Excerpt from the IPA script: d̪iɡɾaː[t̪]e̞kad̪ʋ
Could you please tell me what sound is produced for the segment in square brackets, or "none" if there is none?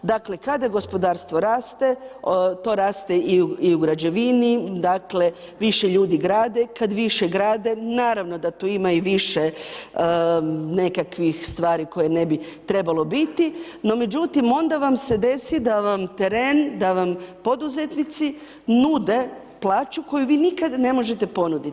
d̪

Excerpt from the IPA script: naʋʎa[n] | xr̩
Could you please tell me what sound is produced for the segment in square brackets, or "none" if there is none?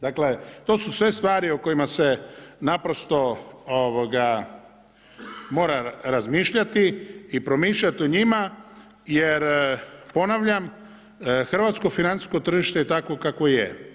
m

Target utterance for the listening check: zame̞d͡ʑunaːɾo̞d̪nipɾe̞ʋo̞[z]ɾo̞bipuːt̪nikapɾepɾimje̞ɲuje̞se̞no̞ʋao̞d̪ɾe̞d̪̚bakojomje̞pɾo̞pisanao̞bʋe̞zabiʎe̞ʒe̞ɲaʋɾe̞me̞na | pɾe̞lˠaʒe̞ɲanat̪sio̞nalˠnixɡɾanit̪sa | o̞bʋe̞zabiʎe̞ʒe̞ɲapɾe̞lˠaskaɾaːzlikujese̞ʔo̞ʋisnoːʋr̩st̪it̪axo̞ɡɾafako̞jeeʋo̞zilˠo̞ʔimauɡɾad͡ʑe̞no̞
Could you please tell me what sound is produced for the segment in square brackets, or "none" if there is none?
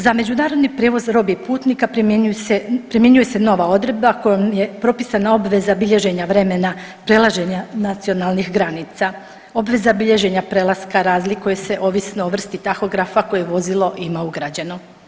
z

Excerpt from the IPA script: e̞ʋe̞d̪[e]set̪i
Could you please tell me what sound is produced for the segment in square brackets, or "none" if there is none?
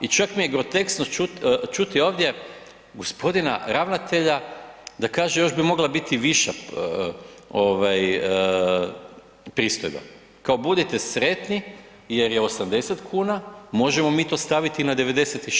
e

